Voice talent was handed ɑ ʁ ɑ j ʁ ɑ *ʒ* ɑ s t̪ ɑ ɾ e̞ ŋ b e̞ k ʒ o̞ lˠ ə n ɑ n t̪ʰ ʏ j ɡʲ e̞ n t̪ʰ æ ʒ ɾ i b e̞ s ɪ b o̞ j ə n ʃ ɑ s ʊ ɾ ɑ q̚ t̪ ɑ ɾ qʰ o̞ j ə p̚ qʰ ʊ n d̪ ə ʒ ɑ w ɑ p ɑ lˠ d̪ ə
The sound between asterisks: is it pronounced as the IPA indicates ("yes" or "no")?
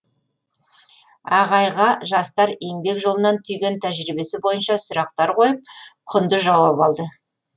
yes